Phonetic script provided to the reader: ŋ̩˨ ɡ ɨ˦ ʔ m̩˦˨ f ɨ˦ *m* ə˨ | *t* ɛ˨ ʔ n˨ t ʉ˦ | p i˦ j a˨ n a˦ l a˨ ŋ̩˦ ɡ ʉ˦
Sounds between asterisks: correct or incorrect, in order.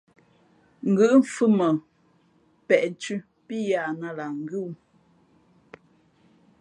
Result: correct, incorrect: p

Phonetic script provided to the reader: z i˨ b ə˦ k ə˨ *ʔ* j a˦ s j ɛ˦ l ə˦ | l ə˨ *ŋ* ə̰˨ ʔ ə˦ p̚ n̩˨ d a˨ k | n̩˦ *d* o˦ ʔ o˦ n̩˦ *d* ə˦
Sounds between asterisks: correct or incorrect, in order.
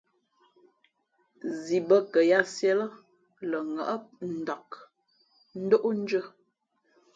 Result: incorrect: none, correct, correct, incorrect: d͡ʒ

